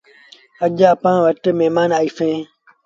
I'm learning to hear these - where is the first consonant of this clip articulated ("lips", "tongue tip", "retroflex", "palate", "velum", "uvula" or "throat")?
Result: palate